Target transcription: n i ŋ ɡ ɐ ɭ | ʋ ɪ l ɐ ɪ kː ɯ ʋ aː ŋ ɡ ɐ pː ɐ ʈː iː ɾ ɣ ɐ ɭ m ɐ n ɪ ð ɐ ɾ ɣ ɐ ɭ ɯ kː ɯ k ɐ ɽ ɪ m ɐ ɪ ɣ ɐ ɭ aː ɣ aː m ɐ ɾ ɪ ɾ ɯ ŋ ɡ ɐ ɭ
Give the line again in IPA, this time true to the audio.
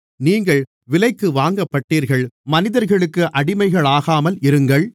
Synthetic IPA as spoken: n iː ŋ ɡ ɐ ɭ | ʋ ɪ l ɐ ɪ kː ɯ ʋ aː ŋ ɡ ɐ pː ɐ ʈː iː ɾ ɣ ɐ ɭ m ɐ n ɪ ð ɐ ɾ ɣ ɐ ɭ ɯ kː ɯ ʔ ɐ ɽ ɪ m ɐ ɪ ɣ ɐ ɭ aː ɣ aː m ɐ l ɪ ɾ ɯ ŋ ɡ ɐ ɭ